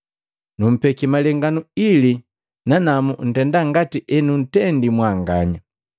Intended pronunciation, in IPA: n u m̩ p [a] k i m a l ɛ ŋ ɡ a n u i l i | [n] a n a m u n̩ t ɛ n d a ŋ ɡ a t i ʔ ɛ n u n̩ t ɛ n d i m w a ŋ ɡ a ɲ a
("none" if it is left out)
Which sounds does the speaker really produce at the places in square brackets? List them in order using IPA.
ɛ, n

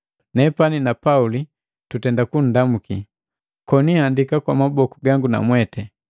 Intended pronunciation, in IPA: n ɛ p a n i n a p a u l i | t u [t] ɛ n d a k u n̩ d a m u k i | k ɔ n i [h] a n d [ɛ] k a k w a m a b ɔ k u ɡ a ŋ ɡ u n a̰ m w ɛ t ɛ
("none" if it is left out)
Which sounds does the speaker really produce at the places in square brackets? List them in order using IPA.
t, h, i

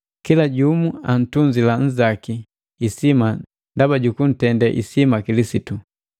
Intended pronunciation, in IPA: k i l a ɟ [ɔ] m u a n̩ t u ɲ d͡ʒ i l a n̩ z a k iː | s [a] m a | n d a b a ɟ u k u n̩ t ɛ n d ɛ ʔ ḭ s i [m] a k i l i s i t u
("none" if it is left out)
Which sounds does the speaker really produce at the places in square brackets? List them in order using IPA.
u, i, m

